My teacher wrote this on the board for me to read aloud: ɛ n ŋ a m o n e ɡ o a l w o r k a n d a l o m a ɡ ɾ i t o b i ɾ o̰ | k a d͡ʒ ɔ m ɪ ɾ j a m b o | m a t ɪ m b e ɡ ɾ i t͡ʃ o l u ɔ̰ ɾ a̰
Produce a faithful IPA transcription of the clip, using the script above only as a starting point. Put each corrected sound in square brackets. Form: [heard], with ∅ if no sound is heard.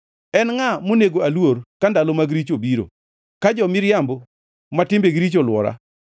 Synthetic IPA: ɛ n ŋ a m o n e ɡ o a l w o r k a n d a l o m a ɡ ɾ i [t͡ʃ] o b i ɾ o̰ | k a d͡ʒ ɔ m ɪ ɾ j a m b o | m a t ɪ m b e ɡ ɾ i t͡ʃ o l [w] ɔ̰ ɾ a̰